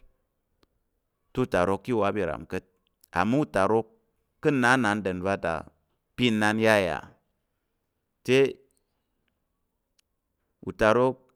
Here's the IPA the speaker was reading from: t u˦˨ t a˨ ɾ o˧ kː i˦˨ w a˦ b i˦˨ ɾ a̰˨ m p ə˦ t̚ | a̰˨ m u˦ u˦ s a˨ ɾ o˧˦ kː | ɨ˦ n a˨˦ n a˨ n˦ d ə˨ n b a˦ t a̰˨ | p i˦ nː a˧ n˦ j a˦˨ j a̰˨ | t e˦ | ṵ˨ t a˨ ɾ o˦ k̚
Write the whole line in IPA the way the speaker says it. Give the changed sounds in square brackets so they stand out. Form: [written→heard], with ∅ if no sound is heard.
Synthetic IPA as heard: t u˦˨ t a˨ ɾ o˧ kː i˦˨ w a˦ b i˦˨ ɾ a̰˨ m [p→k] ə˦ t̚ | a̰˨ m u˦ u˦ [s→t] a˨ ɾ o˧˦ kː | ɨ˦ n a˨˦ n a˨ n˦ d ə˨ n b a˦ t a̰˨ | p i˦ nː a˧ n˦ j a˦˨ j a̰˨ | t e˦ | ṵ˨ t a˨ ɾ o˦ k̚